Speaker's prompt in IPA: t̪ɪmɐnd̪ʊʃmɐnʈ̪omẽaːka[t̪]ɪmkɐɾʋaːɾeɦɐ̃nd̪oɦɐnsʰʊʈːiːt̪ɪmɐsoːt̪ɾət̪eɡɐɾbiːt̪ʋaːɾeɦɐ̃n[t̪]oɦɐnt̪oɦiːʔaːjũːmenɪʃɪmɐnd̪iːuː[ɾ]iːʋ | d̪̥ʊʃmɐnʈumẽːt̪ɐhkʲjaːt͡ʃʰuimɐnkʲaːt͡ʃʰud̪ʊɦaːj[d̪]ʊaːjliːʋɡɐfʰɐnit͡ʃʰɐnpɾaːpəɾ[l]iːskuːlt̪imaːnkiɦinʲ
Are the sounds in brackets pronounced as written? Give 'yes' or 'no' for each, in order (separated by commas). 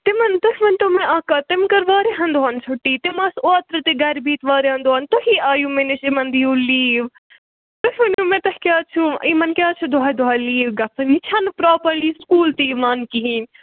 yes, no, no, yes, yes